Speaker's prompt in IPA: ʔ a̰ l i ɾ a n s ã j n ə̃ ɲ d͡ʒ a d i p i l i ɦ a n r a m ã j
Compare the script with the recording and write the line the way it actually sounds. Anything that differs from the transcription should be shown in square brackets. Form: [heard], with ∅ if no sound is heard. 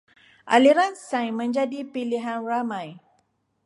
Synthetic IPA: ʔ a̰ l i ɾ a n s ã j [m] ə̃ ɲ d͡ʒ a d i p i l i ɦ a n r a m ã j